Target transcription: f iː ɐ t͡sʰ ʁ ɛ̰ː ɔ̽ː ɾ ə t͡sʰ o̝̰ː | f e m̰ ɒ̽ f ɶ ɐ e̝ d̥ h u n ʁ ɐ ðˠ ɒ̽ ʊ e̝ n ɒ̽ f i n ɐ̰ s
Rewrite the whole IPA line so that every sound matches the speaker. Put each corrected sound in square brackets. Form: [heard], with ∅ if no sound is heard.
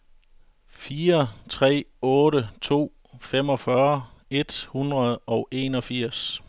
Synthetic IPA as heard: f iː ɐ t͡sʰ ʁ ɛ̰ː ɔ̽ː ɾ ə t͡sʰ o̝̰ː | f e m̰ ɒ̽ f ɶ ɐ e̝ d̥ h u n ʁ ɐ ðˠ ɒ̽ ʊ e̝ n ɒ̽ f i [∅] ɐ̰ s